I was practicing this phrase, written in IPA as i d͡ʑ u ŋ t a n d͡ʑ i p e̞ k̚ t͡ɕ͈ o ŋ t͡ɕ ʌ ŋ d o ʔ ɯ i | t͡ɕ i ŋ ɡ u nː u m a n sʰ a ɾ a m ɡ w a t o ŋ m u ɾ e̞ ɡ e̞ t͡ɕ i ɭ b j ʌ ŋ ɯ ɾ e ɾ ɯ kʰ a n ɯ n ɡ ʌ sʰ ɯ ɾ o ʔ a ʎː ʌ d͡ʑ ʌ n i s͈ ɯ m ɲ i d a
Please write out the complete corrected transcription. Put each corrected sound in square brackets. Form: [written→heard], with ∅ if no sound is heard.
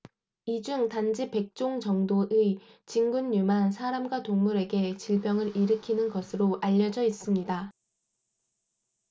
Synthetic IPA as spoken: i d͡ʑ u ŋ t a n d͡ʑ i p e̞ k̚ t͡ɕ͈ o ŋ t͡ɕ ʌ ŋ d o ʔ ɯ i | t͡ɕ i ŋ ɡ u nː u m a n sʰ a ɾ a m ɡ w a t o ŋ m u ɾ e̞ ɡ e̞ t͡ɕ i ɭ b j ʌ ŋ ɯ ɾ [e→i] ɾ ɯ kʰ [a→i] n ɯ n ɡ ʌ sʰ ɯ ɾ o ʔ a ʎː ʌ d͡ʑ ʌ [n→∅] i s͈ ɯ m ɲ i d a